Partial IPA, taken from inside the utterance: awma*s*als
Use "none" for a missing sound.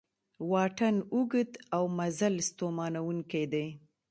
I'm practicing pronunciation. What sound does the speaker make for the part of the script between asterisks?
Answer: z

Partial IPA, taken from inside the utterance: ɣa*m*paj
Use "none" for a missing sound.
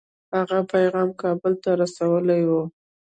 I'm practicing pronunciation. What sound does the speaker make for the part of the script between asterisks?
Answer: none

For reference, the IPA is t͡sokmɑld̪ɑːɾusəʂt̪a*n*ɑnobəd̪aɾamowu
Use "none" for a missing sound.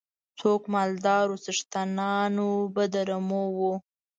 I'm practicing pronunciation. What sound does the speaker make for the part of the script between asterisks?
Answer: n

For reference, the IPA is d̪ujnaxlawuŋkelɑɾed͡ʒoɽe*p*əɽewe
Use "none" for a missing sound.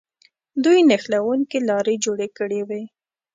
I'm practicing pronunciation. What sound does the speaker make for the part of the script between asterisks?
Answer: k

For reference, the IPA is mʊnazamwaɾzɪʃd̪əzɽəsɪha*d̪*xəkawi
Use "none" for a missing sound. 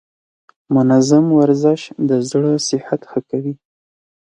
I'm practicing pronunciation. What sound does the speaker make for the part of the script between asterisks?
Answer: t̪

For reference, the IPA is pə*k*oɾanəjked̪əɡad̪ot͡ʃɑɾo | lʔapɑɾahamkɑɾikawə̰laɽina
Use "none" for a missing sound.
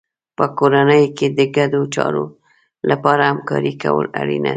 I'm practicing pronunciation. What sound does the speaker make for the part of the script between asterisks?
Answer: k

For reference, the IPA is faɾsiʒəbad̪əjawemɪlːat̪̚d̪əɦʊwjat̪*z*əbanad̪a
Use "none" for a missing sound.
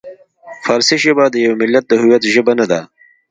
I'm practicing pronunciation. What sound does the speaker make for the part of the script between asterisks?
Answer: ʒ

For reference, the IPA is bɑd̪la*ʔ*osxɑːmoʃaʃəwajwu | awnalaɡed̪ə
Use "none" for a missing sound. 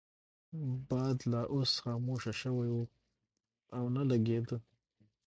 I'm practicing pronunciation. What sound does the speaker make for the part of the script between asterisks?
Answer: ʔ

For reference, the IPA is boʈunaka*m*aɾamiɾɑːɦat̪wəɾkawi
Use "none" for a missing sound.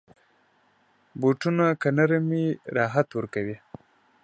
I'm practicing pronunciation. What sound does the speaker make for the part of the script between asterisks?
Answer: n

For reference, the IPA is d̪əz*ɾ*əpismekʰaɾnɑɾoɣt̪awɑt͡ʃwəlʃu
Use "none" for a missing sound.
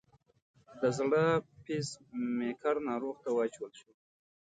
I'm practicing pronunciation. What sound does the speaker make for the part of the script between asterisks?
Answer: ɽ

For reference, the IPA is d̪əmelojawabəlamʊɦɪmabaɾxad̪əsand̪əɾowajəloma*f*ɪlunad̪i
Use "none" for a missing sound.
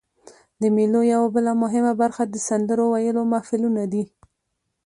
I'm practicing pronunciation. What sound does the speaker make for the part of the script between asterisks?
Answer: f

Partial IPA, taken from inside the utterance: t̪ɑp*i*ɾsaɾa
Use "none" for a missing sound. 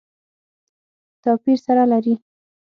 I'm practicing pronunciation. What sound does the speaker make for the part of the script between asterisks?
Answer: i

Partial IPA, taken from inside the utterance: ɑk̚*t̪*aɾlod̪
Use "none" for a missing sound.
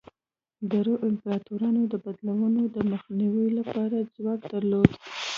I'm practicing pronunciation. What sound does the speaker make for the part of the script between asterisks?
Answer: d̪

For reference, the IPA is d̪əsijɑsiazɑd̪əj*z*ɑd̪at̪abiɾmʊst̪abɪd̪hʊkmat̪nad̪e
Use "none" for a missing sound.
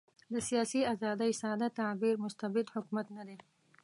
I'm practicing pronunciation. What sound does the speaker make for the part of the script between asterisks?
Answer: s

